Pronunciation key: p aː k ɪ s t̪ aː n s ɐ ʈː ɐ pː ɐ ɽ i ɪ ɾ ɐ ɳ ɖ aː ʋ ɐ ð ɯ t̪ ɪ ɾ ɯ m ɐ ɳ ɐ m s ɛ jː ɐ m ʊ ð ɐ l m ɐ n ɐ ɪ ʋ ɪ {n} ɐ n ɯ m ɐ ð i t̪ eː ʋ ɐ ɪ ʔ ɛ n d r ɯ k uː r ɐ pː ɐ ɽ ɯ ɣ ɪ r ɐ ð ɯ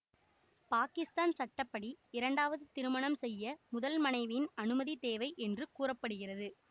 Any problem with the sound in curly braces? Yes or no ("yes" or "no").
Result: no